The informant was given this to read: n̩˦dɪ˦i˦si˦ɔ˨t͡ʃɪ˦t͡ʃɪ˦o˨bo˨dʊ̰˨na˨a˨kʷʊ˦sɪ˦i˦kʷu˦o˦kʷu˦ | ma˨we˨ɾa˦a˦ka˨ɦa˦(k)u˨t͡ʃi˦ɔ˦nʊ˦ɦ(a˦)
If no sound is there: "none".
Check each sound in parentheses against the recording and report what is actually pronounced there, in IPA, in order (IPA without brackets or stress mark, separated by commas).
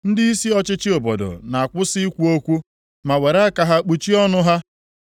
k͡p, a˦